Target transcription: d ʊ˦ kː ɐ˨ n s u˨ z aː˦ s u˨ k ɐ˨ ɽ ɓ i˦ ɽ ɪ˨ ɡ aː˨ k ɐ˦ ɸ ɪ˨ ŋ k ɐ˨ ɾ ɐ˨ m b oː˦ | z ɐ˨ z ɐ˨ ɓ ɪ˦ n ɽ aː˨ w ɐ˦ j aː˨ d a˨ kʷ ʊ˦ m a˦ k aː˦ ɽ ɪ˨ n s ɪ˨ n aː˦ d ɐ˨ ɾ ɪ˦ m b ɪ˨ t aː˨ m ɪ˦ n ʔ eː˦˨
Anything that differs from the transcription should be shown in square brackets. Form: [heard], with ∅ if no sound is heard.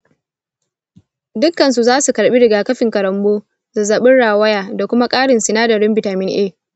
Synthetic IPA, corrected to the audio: d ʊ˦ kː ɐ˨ n s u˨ z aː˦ s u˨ k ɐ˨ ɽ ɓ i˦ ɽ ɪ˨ ɡ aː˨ k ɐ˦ ɸ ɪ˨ ŋ k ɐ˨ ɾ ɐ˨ m b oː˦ | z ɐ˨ z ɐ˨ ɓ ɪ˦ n ɽ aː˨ w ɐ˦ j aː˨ d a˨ kʷ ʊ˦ m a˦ [kʼ] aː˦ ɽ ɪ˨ n s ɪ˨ n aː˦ d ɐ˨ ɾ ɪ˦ m b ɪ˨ t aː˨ m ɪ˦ n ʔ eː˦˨

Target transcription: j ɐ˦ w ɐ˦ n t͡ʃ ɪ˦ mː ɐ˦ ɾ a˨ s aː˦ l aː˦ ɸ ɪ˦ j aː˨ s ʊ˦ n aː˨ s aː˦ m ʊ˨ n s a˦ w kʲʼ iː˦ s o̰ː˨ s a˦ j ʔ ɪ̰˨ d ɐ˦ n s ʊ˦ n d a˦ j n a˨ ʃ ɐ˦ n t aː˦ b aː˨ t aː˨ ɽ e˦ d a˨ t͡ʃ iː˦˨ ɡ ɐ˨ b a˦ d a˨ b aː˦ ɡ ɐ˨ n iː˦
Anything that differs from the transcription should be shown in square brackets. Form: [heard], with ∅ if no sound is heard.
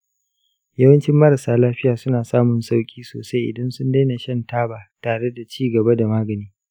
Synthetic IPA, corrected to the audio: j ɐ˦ w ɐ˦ n t͡ʃ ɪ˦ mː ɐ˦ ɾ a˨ s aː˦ l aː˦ ɸ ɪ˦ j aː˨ s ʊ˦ n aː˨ s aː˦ m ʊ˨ n s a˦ w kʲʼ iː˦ s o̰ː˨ s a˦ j ʔ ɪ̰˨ d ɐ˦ n s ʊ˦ n d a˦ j n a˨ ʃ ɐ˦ n t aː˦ b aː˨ t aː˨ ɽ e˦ d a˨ t͡ʃ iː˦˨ ɡ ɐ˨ b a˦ d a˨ [m] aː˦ ɡ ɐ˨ n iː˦

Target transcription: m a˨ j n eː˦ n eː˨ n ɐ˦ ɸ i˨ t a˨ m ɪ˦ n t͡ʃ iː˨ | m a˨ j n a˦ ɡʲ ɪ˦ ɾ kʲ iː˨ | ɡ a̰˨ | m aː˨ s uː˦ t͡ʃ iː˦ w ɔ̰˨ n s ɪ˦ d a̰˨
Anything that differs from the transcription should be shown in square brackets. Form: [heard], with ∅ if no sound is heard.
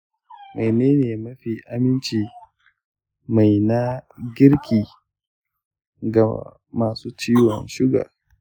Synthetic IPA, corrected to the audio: m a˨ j n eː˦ n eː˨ [m] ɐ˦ ɸ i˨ [ʔ] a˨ m ɪ˦ n t͡ʃ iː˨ | m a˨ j n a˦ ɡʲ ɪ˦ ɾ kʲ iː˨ | ɡ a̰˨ | m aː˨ s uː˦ t͡ʃ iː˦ w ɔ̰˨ n [ʃ] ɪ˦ [ɡ] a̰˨

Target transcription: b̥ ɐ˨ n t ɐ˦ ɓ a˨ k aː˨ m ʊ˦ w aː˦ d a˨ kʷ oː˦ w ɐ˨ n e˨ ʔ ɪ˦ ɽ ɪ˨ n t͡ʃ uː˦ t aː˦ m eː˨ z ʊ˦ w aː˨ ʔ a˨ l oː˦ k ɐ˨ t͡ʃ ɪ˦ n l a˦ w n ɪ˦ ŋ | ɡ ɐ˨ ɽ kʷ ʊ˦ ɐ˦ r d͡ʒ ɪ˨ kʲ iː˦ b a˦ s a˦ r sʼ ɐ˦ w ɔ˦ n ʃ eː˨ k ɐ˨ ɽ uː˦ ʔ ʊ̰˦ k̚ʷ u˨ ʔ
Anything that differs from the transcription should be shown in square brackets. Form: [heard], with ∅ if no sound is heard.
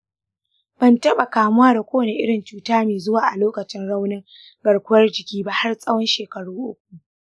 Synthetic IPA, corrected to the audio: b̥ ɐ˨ n t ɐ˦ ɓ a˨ k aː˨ m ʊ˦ w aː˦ d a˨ kʷ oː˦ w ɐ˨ n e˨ ʔ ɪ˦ ɽ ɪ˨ n t͡ʃ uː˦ t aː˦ m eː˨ z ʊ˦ w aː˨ ʔ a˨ l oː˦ k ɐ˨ t͡ʃ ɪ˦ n [ɽ] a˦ w n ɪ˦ ŋ | ɡ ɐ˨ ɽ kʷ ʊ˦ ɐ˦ r d͡ʒ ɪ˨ kʲ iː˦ b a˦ [h] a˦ r sʼ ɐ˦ w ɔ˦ n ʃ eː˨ k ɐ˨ ɽ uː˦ ʔ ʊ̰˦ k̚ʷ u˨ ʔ

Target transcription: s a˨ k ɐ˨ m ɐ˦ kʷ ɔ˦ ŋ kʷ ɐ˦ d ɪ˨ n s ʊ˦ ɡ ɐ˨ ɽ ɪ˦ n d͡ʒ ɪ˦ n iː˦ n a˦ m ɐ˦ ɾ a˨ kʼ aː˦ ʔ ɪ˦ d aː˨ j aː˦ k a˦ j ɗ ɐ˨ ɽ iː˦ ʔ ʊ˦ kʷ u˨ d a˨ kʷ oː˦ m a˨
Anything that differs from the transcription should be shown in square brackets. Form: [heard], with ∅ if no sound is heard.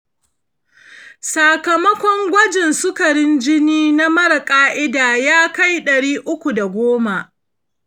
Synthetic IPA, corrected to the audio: s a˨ k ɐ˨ m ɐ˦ kʷ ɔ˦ ŋ [ɡʷ] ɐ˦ [d͡ʒ] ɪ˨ n s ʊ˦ [k] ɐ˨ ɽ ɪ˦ n d͡ʒ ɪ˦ n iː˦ n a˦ m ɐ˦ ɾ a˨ kʼ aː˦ ʔ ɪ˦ d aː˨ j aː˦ k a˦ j ɗ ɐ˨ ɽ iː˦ ʔ ʊ˦ kʷ u˨ d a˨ [ɡʷ] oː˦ m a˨

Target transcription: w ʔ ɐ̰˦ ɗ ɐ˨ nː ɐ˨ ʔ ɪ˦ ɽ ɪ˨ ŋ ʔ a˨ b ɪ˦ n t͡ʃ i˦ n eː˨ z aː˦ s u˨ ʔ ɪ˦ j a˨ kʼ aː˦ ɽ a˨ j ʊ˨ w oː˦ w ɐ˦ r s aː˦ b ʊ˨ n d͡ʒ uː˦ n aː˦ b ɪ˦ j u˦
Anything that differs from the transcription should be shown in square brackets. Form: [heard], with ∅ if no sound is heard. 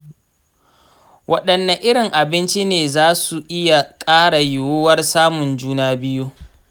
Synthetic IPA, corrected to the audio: w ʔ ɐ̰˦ ɗ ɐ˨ nː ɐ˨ ʔ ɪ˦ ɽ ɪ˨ ŋ ʔ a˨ b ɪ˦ n t͡ʃ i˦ n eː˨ z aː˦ s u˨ ʔ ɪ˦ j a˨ kʼ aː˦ ɽ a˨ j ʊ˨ w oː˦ w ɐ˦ r s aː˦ [m] ʊ˨ n d͡ʒ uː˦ n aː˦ b ɪ˦ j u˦

